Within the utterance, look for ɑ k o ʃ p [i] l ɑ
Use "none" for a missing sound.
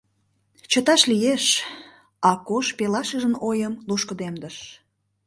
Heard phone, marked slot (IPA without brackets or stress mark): e